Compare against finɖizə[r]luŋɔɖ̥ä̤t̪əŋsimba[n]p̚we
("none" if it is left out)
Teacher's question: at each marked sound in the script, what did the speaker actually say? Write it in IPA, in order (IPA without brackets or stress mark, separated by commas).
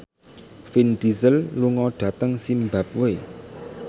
l, none